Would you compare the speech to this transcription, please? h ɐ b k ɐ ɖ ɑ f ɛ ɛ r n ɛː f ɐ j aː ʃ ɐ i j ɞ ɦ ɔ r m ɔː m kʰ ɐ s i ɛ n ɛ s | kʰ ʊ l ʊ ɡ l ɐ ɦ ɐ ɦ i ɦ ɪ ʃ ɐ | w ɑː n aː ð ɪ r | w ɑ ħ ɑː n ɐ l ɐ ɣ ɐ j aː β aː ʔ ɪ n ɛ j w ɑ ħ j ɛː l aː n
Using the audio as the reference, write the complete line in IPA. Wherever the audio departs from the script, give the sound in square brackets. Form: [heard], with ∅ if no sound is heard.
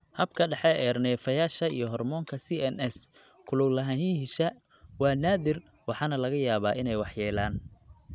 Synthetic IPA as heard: h ɐ b [kʰ] ɐ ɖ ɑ [ħ] ɛ ɛ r n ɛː f ɐ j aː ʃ ɐ i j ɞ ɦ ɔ r m ɔː [ŋ] kʰ ɐ s i ɛ n ɛ s | kʰ ʊ l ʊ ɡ l ɐ ɦ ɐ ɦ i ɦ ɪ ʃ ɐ | w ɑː n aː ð ɪ r | w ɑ ħ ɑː n ɐ l ɐ ɣ ɐ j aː β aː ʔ ɪ n ɛ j w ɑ ħ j ɛː l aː n